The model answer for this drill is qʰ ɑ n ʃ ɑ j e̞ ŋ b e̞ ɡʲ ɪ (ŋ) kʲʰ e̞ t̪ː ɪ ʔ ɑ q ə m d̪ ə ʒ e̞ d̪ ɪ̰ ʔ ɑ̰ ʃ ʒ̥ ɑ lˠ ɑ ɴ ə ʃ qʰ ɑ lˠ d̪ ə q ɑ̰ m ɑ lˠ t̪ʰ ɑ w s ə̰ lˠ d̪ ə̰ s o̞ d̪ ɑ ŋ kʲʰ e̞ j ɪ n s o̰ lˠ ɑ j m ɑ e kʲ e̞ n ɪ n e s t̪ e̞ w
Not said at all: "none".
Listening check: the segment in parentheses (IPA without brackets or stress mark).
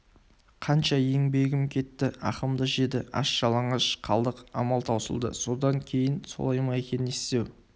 m